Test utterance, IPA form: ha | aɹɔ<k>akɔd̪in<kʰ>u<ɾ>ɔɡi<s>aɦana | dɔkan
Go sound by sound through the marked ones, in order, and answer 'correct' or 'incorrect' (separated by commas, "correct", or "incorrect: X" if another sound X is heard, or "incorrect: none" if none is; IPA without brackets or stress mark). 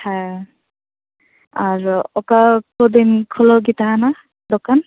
correct, correct, incorrect: l, incorrect: t